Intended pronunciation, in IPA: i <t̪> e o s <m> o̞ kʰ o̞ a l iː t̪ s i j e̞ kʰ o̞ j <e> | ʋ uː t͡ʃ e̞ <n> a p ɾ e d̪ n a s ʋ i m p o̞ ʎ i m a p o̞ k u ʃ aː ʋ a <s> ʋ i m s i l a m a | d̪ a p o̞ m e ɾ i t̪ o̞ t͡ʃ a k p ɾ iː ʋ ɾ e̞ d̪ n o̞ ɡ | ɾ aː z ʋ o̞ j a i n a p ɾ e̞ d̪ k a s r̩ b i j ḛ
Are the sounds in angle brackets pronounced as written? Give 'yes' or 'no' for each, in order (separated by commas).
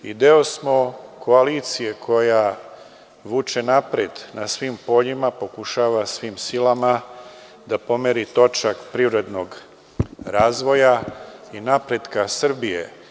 no, yes, no, yes, yes